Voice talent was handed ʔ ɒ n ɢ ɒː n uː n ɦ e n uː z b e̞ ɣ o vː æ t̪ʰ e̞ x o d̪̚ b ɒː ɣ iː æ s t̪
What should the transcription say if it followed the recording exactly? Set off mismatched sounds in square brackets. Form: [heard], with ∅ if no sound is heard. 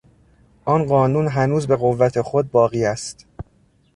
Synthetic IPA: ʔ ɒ n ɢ ɒː n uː n ɦ [æ] n uː z b e̞ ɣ o vː æ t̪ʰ e̞ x o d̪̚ b ɒː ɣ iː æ s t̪